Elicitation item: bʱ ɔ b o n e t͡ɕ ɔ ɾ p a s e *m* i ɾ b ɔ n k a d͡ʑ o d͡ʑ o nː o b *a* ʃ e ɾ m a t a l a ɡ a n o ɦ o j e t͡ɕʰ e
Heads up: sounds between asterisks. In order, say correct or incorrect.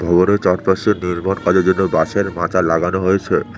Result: incorrect, correct

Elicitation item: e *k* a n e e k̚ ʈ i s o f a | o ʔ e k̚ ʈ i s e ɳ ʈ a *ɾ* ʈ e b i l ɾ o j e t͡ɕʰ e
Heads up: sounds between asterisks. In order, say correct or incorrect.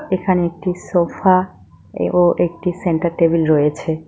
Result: incorrect, correct

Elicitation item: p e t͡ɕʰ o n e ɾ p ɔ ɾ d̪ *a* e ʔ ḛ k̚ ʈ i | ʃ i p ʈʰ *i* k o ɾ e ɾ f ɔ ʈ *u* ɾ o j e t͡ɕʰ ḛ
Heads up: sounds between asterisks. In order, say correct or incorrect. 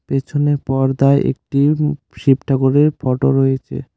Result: correct, incorrect, incorrect

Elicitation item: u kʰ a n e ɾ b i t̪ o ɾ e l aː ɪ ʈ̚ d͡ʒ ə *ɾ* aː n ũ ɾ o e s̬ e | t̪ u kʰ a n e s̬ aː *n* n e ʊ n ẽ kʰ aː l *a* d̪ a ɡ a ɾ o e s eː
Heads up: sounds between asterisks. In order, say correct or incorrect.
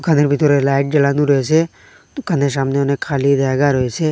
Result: incorrect, incorrect, incorrect

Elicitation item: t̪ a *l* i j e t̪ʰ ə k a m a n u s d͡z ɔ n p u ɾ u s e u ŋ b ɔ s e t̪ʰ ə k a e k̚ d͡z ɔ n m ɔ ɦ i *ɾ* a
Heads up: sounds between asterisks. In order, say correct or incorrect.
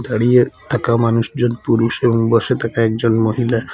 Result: incorrect, incorrect

